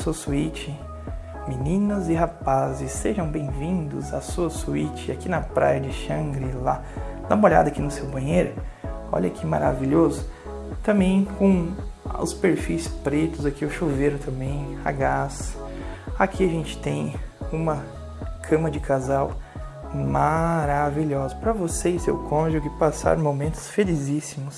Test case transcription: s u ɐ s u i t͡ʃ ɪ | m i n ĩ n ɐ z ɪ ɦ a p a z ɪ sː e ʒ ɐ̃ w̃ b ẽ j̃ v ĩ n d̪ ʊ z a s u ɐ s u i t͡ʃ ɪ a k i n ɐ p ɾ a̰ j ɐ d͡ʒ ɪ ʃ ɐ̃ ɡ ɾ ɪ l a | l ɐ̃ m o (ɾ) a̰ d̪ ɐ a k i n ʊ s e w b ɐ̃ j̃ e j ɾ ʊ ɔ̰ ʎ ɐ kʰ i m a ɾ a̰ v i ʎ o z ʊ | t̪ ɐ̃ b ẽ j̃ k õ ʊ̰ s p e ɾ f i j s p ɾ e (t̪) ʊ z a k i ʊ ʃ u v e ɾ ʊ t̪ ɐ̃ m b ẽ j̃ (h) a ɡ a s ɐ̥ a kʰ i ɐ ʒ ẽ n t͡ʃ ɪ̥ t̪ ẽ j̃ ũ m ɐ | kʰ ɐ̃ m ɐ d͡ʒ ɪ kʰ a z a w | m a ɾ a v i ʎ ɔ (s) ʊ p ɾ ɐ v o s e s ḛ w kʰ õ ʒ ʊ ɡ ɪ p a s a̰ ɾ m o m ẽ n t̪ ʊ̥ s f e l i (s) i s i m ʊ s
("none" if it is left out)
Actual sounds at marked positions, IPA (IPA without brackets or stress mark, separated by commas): ʎ, t̪, h, z, z